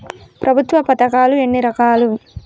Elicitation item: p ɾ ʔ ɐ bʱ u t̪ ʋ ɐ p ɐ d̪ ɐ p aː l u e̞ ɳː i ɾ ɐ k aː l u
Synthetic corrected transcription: p ɾ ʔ ɐ bʱ u t̪ ʋ ɐ p ɐ t̪ ɐ k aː l u e̞ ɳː i ɾ ɐ k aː l u